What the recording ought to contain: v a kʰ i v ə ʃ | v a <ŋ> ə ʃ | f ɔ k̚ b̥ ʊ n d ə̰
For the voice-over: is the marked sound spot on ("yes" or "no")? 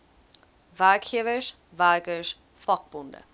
no